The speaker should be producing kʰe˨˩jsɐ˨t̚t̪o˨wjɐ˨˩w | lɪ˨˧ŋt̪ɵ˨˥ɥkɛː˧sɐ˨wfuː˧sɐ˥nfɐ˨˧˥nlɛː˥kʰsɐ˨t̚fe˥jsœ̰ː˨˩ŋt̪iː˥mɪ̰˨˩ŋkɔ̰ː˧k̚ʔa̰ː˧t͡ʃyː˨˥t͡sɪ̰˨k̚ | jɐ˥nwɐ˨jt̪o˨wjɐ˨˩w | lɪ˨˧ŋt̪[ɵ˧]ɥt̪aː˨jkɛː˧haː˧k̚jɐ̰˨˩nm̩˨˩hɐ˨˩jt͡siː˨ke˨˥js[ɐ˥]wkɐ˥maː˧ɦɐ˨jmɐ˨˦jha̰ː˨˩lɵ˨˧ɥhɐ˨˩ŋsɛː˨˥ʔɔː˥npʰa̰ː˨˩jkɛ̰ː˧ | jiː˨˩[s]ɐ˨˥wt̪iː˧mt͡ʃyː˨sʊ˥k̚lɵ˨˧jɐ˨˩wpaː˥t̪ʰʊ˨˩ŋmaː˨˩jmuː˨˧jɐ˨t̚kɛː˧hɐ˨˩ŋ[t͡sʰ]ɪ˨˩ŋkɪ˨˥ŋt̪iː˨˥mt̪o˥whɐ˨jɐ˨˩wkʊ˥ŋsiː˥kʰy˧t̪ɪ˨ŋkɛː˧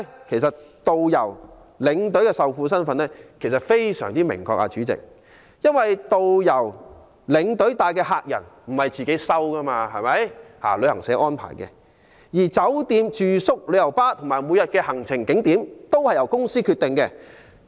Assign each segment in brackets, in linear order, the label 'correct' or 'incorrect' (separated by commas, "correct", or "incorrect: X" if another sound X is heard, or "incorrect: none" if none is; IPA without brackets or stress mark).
incorrect: ɵ˨˥, correct, incorrect: t͡s, correct